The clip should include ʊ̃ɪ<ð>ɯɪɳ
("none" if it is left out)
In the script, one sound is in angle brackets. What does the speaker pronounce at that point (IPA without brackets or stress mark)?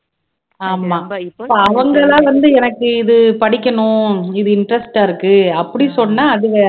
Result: ð